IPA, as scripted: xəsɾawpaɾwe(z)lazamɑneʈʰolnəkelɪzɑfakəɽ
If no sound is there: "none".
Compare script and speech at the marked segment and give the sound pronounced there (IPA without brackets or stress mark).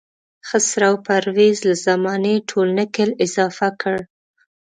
z